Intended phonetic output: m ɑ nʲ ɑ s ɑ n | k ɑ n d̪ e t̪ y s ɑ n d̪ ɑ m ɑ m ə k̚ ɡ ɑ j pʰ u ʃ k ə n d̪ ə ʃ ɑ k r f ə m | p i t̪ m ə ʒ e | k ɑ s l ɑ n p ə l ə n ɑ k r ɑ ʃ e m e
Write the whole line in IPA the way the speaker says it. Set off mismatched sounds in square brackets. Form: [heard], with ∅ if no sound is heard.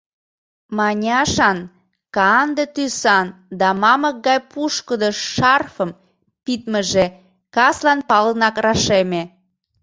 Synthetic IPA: m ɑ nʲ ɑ [ʃ] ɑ n | k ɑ n d̪ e t̪ y s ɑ n d̪ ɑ m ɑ m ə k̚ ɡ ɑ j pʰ u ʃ k ə [∅] d̪ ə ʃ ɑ [∅] r f ə m | p i t̪ m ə ʒ e | k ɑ s l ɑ n p [ɑ] l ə n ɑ k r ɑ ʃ e m e